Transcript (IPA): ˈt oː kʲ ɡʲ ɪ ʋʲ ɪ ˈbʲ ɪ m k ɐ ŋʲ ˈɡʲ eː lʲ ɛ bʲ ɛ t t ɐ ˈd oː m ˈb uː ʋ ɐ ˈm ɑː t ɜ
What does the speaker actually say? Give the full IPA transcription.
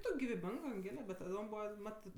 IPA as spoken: ˈt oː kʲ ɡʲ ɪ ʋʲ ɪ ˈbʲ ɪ ŋ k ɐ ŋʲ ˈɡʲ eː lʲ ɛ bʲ ɛ t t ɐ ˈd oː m ˈb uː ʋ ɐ ˈm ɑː t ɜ